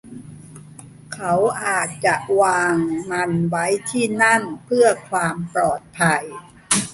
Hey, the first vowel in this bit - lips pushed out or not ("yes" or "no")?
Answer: no